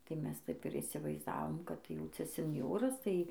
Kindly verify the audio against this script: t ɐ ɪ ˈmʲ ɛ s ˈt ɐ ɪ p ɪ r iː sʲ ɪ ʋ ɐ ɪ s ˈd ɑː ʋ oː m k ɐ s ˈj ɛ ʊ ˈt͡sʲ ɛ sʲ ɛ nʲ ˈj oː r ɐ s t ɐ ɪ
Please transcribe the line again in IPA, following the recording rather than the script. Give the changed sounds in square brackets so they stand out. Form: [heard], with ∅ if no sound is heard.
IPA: t ɐ ɪ ˈmʲ ɛ s ˈt ɐ ɪ p ɪ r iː sʲ ɪ ʋ ɐ ɪ [z] ˈd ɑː ʋ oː m k ɐ [t] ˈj ɛ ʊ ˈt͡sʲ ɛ sʲ ɛ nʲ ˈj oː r ɐ s t ɐ ɪ